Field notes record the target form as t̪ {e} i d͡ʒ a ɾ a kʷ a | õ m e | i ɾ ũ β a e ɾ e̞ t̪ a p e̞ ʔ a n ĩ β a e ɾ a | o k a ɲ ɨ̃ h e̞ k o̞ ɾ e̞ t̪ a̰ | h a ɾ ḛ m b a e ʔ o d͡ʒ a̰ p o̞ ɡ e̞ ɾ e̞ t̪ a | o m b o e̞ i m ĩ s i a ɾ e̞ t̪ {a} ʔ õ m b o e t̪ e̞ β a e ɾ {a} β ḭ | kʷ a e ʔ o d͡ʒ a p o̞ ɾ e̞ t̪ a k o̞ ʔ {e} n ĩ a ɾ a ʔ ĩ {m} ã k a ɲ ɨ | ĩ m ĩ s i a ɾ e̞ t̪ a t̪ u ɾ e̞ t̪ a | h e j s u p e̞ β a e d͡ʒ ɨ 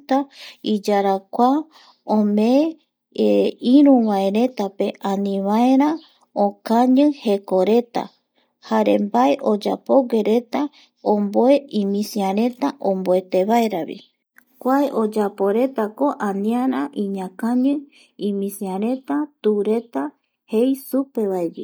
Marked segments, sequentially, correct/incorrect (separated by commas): incorrect, correct, correct, incorrect, incorrect